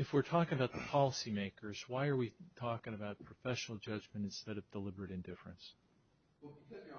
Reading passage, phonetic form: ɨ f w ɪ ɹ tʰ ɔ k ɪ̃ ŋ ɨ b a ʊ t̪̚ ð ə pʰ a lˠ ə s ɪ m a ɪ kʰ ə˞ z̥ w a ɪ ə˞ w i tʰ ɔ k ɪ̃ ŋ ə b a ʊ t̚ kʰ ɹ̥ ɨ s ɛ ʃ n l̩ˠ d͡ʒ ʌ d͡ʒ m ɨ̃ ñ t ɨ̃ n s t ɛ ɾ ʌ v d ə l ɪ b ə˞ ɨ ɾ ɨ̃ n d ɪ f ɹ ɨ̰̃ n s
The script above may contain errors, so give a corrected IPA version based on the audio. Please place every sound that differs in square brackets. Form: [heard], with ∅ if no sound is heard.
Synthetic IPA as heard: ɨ f w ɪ ɹ tʰ ɔ k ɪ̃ ŋ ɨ b a ʊ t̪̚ ð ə pʰ [ɑ] lˠ ə s [i] m [e] ɪ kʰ ə˞ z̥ w a ɪ ə˞ w i tʰ ɔ k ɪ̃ ŋ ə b a ʊ t̚ [pʰ] ɹ̥ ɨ [f] ɛ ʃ n l̩ˠ d͡ʒ ʌ d͡ʒ m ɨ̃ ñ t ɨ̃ n s t ɛ ɾ ʌ v d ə l ɪ b ə˞ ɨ ɾ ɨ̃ n d ɪ f ɹ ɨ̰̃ n s